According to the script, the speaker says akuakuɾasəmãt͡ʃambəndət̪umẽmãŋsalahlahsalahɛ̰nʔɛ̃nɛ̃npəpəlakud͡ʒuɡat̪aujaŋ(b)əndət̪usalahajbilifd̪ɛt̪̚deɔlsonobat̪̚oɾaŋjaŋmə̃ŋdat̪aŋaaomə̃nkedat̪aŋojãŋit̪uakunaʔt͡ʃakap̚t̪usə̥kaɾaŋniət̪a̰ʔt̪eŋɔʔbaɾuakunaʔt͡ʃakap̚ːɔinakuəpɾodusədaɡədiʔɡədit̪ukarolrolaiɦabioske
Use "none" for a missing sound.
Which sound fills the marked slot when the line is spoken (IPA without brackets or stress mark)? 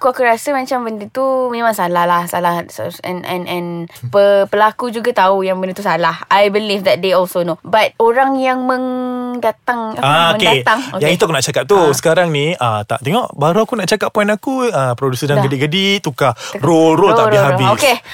b